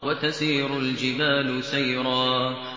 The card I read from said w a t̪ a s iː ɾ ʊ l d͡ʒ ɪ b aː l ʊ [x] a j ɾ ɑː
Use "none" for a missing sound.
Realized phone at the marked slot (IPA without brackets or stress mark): s